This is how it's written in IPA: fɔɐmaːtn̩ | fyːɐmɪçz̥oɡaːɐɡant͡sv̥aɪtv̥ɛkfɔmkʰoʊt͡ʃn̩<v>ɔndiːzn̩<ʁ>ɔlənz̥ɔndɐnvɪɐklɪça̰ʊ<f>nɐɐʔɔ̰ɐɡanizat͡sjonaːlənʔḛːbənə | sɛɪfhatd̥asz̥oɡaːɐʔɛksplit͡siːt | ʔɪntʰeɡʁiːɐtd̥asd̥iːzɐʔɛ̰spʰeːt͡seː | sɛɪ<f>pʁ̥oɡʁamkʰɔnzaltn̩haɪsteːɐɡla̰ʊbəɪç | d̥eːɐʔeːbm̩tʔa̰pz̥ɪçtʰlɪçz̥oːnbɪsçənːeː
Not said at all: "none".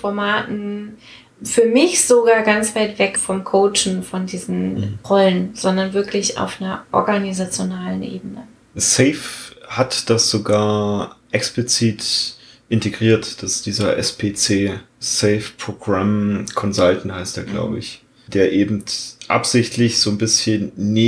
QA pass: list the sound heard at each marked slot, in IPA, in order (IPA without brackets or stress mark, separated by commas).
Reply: f, ʁ, f, f